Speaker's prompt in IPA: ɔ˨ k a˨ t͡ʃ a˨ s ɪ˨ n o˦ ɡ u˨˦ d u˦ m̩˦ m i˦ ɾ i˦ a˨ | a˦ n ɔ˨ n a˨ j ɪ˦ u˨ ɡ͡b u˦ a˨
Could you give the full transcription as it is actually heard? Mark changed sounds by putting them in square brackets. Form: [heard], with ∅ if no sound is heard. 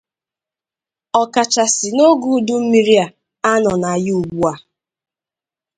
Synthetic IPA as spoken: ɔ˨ k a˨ t͡ʃ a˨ s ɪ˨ n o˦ ɡ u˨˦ d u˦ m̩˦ m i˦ ɾ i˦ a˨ | a˦ n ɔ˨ n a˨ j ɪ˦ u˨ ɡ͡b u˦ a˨